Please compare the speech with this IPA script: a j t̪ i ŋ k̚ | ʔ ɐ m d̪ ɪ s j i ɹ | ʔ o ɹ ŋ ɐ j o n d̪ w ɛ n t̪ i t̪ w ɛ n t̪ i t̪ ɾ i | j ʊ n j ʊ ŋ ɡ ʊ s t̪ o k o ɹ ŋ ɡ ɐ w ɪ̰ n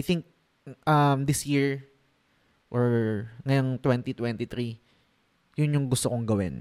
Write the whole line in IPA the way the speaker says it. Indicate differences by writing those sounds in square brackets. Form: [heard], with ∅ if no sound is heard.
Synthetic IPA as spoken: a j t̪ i ŋ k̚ | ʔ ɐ m d̪ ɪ s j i ɹ | ʔ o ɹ ŋ ɐ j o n [t̪] w ɛ n t̪ i t̪ w ɛ n t̪ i t̪ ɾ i | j ʊ n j ʊ ŋ ɡ ʊ s t̪ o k o [∅] ŋ ɡ ɐ w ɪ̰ n